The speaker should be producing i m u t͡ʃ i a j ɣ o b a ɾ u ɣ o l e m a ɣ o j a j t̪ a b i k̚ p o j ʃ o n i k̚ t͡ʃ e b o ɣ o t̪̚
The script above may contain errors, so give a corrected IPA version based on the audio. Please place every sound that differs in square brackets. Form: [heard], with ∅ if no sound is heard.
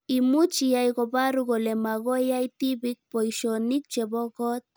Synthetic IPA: i m u t͡ʃ i a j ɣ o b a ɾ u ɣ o l e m a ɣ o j a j t̪ [i] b i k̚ p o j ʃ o n i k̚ t͡ʃ e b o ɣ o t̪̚